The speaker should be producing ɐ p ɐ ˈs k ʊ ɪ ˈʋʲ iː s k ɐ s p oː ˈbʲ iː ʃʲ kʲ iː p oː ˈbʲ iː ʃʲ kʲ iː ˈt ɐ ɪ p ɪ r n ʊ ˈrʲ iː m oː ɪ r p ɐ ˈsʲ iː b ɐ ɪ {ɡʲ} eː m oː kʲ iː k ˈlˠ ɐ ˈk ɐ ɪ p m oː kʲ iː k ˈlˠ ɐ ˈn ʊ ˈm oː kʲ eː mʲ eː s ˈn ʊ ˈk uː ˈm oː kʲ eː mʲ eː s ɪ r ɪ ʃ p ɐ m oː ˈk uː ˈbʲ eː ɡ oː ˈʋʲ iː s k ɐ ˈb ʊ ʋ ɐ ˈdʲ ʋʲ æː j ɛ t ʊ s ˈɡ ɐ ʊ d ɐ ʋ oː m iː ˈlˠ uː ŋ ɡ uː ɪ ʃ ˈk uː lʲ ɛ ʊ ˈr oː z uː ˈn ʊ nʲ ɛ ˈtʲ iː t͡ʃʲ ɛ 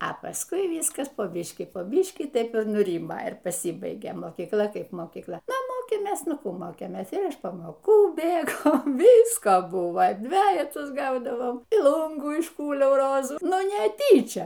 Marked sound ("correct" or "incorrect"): correct